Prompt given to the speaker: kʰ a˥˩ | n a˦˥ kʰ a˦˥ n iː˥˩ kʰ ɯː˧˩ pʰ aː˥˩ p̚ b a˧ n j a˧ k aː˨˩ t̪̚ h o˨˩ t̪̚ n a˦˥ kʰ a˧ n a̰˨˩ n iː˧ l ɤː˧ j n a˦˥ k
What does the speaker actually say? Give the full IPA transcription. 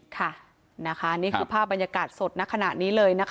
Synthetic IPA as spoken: kʰ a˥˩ | n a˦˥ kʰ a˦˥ n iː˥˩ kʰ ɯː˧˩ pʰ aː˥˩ p̚ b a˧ n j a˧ k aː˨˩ t̪̚ s o˨˩ t̪̚ n a˦˥ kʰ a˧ n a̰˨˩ n iː˦˥ l ɤː˧ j n a˦˥ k

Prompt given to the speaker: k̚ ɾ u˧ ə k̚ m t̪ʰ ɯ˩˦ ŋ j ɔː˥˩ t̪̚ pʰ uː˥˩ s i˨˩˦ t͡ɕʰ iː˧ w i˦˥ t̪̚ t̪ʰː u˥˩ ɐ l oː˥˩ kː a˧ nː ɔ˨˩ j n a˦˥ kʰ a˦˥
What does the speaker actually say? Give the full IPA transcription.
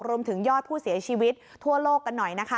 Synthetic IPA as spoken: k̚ ɾ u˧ ə m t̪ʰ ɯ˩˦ ŋ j ɔː˥˩ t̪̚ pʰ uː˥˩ s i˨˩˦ t͡ɕʰ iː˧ w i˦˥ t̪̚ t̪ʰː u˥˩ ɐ l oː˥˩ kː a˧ nː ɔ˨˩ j n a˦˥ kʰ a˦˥

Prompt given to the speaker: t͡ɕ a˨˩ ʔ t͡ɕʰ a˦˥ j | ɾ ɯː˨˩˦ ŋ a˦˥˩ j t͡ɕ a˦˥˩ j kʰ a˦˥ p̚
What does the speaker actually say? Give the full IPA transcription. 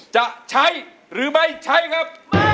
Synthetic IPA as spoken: t͡ɕ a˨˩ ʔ t͡ɕʰ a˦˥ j | ɾ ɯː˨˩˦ m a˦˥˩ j t͡ɕʰ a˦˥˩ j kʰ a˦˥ p̚

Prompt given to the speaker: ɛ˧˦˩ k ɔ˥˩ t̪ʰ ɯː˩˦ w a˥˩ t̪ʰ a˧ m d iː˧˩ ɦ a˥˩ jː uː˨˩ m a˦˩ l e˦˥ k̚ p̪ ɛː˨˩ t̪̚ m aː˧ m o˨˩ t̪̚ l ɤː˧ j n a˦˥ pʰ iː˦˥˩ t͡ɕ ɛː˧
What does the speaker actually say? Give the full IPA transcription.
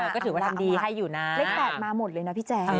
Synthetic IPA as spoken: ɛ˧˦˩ k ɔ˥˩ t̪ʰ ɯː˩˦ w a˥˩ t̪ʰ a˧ m d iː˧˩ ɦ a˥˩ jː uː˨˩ n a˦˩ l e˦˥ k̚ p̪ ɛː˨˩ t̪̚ m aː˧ m o˨˩ t̪̚ l ɤː˧ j n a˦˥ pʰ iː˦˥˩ t͡ɕ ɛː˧

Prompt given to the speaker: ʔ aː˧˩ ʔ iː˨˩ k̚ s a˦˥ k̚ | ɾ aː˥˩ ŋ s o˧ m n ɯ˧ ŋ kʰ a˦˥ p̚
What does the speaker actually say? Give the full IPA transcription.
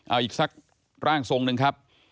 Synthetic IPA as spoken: ʔ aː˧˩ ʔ iː˨˩ k̚ s a˦˥ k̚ | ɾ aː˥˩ ŋ s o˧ ŋ n ɯ˧ ŋ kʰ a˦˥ p̚

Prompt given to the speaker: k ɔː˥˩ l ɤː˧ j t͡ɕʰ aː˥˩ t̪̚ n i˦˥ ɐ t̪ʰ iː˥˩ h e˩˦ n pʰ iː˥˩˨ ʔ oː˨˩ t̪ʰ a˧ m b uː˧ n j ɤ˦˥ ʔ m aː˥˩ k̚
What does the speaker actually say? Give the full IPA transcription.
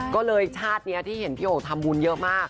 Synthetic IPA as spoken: k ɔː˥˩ l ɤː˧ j t͡ɕʰ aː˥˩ t̪̚ n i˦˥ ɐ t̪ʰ iː˥˩ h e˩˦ n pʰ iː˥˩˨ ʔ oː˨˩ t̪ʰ a˧ m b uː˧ n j ɤ˦˥ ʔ m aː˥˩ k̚

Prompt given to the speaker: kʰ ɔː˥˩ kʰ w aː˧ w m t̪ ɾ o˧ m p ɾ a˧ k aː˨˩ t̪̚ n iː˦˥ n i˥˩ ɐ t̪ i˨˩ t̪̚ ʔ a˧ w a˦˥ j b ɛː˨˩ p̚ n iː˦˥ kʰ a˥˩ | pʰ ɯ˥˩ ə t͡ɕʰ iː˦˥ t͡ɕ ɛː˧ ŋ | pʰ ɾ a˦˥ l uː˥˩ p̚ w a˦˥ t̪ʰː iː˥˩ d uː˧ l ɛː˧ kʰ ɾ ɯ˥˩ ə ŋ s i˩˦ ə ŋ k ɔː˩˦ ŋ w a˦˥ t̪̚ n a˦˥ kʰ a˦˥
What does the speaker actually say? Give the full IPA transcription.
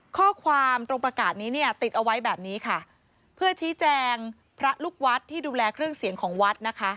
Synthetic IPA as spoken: kʰ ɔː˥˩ kʰ w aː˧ m t̪ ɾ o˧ ŋ p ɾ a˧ k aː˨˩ t̪̚ n iː˦˥ n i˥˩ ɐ t̪ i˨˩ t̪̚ ʔ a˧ w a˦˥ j b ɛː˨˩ p̚ n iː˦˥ kʰ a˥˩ | pʰ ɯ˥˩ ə t͡ɕʰ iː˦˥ t͡ɕ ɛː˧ ŋ | pʰ ɾ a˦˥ l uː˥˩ k̚ w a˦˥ t̪ʰː iː˥˩ d uː˧ l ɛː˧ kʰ ɾ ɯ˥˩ ə ŋ s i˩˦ ə ŋ kʰ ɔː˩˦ ŋ w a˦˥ t̪̚ n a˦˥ kʰ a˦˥

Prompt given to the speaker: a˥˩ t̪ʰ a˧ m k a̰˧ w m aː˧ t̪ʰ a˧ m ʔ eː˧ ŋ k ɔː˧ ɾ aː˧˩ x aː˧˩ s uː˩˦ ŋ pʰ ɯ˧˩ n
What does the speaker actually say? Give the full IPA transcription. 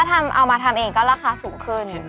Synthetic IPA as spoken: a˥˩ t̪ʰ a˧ m ʔ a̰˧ w m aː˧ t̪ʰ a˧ m ʔ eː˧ ŋ k ɔː˥˩ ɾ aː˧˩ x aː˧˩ s uː˩˦ ŋ kʰ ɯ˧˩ n

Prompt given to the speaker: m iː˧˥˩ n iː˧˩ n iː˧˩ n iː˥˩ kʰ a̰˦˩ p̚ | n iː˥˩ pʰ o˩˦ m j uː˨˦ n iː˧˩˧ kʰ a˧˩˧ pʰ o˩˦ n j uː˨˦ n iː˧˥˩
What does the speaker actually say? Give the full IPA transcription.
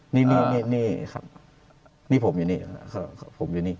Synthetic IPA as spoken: n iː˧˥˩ n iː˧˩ n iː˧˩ n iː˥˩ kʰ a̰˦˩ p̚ | n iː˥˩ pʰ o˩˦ m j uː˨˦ n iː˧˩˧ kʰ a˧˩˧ pʰ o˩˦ m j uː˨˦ n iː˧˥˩

